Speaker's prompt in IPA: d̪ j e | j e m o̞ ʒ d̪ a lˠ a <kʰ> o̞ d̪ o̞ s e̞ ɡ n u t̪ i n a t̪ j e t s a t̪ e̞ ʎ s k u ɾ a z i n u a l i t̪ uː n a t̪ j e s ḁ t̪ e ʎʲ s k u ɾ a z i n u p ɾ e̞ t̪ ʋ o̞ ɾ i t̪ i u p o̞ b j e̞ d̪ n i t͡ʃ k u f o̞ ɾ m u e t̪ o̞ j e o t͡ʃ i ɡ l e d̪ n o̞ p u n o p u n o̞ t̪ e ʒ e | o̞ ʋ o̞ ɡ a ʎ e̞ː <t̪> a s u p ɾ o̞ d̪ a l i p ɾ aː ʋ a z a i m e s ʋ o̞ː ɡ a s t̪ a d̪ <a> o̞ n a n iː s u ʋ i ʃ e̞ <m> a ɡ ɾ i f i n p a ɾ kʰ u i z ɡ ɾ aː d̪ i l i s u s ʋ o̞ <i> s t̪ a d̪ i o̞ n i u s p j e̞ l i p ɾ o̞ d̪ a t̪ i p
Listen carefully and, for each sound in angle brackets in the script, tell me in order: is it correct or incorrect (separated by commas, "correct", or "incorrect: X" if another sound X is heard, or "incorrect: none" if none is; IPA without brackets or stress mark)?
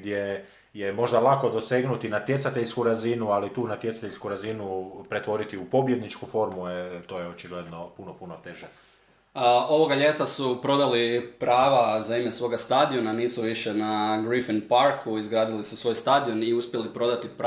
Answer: incorrect: k, correct, incorrect: i, incorrect: n, incorrect: j